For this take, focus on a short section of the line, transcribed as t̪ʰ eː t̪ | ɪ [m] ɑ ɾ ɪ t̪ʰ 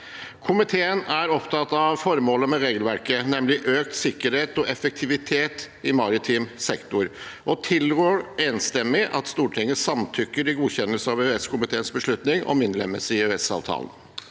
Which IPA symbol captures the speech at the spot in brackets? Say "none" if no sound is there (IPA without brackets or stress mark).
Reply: m